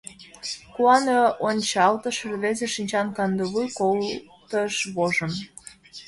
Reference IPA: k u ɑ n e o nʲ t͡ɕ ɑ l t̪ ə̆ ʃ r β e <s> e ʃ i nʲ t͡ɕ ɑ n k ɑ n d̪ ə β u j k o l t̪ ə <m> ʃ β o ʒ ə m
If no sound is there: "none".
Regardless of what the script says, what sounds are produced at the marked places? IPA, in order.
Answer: z, none

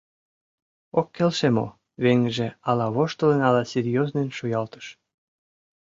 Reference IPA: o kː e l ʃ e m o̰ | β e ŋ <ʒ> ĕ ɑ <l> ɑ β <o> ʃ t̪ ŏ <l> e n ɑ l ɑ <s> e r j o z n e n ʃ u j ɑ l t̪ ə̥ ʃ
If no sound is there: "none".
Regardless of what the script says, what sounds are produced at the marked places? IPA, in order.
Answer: ʒ, l, o, l, s

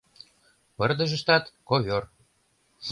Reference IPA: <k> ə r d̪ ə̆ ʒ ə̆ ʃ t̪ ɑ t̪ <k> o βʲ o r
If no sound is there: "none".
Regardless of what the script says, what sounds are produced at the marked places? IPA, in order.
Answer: p, k

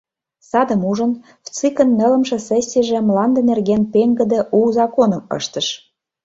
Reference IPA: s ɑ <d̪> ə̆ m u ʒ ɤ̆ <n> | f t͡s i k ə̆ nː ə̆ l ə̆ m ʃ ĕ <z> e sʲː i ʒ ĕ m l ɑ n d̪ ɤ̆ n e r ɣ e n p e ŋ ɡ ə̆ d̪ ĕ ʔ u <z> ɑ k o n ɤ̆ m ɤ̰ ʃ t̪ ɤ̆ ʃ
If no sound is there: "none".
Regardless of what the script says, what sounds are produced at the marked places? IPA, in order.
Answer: d̪, n, s, z

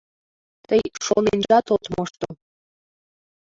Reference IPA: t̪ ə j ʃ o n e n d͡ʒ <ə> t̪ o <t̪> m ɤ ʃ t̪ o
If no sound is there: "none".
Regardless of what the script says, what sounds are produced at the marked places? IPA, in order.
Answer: ɑ, t̪

